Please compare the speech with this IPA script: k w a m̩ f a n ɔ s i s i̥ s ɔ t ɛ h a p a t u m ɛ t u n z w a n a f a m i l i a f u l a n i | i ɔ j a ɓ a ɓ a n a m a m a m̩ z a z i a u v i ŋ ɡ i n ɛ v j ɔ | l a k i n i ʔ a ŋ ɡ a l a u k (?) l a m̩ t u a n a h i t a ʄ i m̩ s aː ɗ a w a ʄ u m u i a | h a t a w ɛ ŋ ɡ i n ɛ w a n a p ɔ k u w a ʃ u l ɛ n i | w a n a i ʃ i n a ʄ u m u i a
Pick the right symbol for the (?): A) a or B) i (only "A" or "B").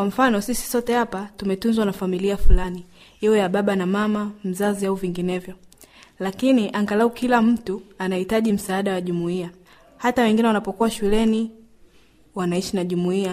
B